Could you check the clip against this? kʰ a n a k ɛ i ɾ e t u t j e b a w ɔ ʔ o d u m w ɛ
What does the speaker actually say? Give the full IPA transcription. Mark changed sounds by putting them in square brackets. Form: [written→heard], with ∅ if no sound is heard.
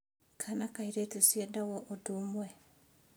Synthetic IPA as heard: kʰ a n a k [ɛ→a] i ɾ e t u [t→s] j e [b→d] a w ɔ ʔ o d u m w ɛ